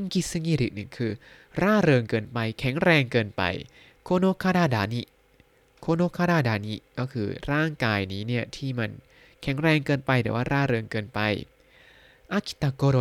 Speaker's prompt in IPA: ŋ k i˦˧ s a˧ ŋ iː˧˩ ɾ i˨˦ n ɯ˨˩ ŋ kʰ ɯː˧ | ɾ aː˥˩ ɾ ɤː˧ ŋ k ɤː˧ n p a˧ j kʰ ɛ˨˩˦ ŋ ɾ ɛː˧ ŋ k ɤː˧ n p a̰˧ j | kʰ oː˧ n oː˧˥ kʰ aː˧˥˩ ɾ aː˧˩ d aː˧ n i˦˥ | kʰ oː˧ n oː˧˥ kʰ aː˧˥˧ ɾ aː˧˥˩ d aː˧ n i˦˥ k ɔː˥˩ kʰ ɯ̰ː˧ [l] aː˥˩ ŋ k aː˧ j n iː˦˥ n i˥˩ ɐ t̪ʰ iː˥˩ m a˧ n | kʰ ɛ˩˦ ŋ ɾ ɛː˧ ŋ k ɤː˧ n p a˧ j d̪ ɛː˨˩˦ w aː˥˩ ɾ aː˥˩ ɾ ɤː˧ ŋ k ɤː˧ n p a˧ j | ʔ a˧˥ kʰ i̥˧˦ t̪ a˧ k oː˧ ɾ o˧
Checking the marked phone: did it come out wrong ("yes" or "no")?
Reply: yes